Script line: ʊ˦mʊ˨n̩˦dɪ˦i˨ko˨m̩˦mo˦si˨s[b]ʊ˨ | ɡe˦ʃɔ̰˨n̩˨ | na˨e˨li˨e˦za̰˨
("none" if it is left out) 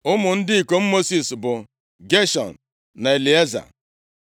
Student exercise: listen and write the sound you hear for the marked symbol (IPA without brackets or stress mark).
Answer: b